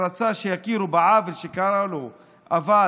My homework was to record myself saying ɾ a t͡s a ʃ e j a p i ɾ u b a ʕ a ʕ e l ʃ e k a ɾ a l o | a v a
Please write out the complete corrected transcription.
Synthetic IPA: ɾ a t͡s a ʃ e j a k i ɾ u b a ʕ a v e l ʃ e k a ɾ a l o | a v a